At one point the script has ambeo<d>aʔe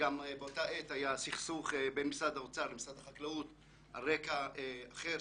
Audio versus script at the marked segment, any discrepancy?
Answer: yes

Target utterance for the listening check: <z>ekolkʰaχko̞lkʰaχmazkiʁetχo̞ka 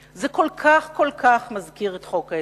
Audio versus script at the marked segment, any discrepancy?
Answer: no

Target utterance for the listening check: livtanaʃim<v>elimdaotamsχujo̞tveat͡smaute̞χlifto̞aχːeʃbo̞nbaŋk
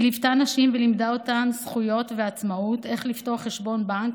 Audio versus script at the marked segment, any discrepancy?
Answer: no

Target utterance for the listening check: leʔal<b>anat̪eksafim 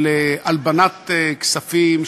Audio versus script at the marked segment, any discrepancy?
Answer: no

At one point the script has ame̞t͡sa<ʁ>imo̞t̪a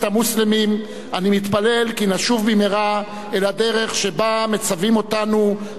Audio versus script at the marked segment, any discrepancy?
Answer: yes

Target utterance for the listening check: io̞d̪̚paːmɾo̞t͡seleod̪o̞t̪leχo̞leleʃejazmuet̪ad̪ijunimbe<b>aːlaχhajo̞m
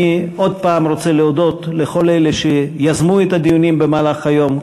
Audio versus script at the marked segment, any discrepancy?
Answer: yes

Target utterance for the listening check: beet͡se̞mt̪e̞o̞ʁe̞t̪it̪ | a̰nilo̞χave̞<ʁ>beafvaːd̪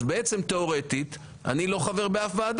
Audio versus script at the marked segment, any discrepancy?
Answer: no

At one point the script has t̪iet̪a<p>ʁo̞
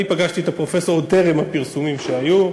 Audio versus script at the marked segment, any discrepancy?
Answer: no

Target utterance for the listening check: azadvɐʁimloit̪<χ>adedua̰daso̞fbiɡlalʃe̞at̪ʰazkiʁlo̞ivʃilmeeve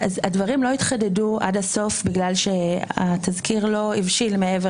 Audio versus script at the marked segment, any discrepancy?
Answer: no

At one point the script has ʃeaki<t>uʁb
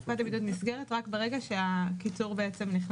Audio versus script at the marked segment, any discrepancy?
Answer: yes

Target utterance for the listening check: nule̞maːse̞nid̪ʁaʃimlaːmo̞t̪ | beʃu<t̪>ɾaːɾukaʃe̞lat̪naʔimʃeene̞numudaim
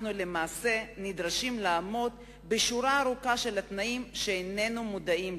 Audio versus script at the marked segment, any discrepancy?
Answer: yes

